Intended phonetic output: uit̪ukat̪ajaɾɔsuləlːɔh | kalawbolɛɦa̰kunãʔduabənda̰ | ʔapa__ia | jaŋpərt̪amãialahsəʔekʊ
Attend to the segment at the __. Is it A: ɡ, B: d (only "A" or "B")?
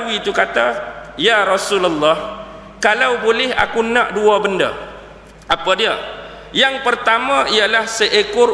B